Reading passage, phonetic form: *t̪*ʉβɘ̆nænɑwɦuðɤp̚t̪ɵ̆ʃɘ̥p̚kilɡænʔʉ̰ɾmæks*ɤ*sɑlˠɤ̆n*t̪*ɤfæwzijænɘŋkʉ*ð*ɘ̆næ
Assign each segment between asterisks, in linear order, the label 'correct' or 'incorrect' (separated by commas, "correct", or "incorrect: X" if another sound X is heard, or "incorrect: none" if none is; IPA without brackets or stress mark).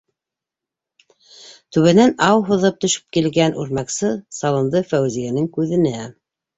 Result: correct, correct, incorrect: d̪, correct